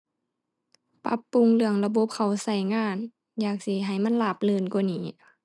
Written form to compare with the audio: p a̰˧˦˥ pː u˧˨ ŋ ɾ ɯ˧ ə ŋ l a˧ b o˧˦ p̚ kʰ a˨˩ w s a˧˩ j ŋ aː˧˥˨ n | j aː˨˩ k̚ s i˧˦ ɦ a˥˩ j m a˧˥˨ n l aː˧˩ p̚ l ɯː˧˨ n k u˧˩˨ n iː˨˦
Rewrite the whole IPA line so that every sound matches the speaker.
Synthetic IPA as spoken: p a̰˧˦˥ pː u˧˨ ŋ l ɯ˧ ə ŋ l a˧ b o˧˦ p̚ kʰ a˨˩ w s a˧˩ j ŋ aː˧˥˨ n | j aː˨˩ k̚ s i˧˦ ɦ a˨˩ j m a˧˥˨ n l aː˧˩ p̚ l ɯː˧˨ n k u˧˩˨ n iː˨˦

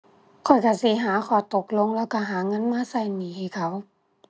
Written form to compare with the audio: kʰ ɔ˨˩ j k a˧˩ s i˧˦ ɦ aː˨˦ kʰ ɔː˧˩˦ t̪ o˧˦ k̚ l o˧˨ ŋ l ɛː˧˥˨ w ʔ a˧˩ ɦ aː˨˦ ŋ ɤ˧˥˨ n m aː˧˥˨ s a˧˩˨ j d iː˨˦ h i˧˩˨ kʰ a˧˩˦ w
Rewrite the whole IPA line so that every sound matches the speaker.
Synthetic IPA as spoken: kʰ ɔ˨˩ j k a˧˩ s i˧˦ ɦ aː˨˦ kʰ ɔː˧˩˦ t̪ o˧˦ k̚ l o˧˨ ŋ l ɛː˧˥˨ w k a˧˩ ɦ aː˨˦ ŋ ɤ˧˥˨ n m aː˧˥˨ s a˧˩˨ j n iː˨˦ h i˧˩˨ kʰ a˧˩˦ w

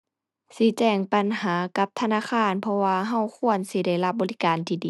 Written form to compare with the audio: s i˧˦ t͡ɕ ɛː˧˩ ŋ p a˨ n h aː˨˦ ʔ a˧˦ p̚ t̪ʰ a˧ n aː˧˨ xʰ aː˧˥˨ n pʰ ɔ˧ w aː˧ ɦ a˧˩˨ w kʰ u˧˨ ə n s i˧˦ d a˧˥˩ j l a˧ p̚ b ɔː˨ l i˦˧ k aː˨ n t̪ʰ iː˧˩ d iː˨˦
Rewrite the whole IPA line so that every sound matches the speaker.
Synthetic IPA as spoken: s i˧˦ t͡ɕ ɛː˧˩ ŋ p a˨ n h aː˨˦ k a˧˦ p̚ t̪ʰ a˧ n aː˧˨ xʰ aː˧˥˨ n pʰ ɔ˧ w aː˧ ɦ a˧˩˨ w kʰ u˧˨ ə n s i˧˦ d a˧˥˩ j l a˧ p̚ b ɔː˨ l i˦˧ k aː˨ n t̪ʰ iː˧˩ d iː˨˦

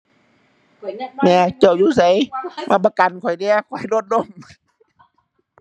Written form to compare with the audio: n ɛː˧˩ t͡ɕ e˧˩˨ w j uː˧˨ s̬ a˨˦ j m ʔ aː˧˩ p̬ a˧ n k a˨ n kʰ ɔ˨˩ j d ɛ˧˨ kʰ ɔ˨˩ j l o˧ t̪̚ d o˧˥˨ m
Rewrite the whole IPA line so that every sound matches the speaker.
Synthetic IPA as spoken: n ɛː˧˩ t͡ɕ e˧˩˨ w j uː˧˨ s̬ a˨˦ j m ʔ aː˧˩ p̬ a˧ k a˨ n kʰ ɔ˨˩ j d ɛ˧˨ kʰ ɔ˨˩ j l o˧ t̪̚ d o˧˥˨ m

